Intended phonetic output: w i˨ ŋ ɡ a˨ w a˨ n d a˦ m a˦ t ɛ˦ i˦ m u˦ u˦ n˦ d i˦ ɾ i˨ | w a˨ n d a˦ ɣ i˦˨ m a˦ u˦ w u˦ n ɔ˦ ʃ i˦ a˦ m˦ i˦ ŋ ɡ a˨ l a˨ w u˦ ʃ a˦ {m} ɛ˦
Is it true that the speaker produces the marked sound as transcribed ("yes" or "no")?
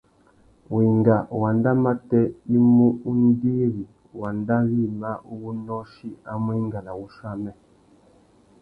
yes